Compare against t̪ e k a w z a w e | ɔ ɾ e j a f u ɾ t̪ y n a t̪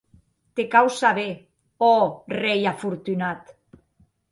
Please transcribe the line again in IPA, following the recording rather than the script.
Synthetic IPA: t̪ e k a w s a β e | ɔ r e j a f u ɾ t̪ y n a t̪

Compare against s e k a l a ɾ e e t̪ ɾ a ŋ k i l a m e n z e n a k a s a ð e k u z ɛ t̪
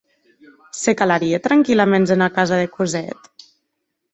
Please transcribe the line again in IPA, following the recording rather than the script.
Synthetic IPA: s e k a l a ɾ i e t̪ ɾ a ŋ k i l a m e n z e n a k a z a ð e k u z ɛ t̪

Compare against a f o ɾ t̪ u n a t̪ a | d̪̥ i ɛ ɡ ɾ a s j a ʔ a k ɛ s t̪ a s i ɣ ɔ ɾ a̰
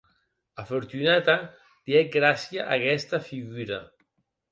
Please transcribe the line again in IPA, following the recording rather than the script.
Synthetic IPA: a f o ɾ t̪ u n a t̪ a | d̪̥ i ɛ ɡ ɾ a s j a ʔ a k ɛ s t̪ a f i ɣ u ɾ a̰

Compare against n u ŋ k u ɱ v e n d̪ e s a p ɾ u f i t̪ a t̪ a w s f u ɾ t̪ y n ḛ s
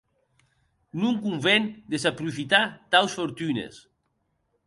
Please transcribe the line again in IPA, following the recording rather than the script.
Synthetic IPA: n u ŋ k u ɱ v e n d̪ e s a p ɾ u f i t̪ a t̪ a w s f o ɾ t̪ y n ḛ s

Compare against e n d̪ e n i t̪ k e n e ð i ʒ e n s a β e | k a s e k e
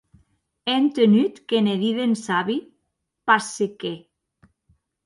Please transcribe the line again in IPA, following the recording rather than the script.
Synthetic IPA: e n t̪ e n y t̪ k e n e ð i ð e n s a β i | p a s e k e

